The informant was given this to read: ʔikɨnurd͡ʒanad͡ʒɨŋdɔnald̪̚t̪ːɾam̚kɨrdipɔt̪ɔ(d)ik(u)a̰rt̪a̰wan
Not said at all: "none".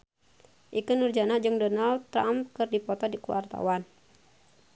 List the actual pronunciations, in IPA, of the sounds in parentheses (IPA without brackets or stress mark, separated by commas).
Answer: d, u